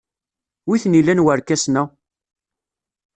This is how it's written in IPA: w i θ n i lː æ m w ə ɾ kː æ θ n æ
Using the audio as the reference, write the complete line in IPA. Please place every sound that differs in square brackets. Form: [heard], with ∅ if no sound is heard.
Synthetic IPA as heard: w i θ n i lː æ [n] w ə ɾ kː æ [s] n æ

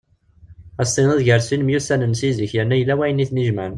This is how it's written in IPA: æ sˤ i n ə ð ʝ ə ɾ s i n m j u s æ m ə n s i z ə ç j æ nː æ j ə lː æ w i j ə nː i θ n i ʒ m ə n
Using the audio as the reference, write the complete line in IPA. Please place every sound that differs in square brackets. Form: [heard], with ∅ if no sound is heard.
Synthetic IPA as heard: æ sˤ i n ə ð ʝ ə ɾ s i n m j u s æ [n] ə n s i z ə ç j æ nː æ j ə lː æ w [æ] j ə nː i θ n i ʒ m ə n

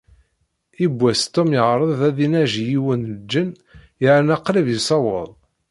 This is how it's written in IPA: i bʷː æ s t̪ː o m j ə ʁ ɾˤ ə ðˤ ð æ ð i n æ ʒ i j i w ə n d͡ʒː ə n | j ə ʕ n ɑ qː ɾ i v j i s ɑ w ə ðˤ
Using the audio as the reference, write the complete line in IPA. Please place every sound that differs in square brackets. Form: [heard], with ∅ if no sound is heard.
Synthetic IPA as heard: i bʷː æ s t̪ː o m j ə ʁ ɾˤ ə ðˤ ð æ ð i n æ ʒ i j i w ə n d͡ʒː ə n | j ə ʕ n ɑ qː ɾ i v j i s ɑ w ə ðˤ

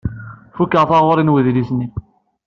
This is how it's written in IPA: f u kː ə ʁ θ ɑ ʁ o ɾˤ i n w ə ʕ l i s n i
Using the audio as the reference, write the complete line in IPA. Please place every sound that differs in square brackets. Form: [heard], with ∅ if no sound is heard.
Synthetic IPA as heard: f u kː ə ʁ θ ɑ ʁ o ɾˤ i n w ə [ð] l i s n i

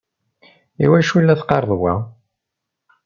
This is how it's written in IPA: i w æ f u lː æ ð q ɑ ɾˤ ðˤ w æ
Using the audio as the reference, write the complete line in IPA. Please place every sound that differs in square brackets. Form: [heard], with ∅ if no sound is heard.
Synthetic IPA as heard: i w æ [ʃ] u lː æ [θ] q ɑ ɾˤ ðˤ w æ

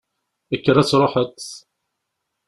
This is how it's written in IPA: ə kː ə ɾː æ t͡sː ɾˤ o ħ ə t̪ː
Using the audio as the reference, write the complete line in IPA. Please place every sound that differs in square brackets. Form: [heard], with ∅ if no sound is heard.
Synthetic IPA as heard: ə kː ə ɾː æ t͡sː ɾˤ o ħ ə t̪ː

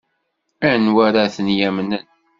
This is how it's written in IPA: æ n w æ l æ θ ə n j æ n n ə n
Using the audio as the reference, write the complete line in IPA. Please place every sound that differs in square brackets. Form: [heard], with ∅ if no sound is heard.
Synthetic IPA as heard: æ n w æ [ɾ] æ θ ə n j æ [m] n ə n

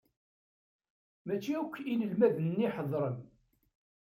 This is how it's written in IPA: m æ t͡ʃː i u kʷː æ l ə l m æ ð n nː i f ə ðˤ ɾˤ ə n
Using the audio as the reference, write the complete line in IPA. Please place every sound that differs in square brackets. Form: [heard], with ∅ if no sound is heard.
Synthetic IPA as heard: m æ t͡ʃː i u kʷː [i] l ə l m æ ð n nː i [ħ] ə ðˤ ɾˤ ə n

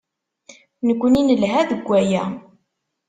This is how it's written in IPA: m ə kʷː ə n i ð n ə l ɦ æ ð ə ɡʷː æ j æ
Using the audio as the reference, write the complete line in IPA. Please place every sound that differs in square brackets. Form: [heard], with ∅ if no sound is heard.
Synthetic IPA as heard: [n] ə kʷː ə n i [∅] n ə l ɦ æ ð ə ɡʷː æ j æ

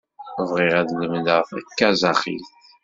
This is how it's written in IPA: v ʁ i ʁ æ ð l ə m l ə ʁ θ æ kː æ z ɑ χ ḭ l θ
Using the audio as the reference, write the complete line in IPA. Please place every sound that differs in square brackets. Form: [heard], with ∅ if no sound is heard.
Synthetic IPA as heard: v ʁ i ʁ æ ð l ə m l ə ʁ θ æ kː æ z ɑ χ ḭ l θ

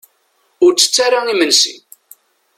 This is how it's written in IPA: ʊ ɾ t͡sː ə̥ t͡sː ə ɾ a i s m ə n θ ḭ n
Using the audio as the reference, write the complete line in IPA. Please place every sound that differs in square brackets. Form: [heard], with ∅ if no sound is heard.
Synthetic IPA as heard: ʊ ɾ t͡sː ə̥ t͡sː [a] ɾ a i [∅] m ə n [s] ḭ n

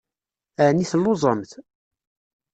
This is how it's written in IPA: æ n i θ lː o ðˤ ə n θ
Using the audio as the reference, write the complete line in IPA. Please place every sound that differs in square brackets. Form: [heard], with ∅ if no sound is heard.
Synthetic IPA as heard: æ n i θ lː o [zˤ] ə [m] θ

